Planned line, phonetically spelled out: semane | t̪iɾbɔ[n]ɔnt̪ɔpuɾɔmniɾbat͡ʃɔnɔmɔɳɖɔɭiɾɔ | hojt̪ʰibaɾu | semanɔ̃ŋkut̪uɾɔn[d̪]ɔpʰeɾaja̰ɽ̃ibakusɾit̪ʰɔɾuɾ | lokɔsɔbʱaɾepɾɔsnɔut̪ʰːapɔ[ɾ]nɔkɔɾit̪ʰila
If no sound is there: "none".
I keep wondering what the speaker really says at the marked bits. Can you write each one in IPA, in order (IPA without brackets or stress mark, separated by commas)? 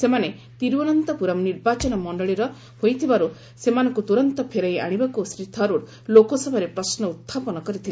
n, t̪, none